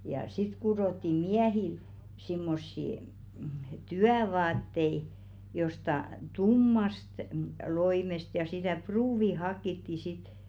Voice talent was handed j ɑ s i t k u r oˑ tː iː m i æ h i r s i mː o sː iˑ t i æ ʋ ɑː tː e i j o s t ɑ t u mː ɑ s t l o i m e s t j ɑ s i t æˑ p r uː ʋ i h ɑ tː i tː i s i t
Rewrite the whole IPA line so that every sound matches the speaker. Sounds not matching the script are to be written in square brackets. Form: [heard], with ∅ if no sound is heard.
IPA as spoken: j ɑ s i t k u r oˑ tː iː m i æ h i [l] s i mː o sː iˑ t [y] æ ʋ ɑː tː e i j o s t ɑ t u mː ɑ s t l o i m e s t j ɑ s i t æˑ p r uː ʋ i h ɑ [kː] i tː i s i t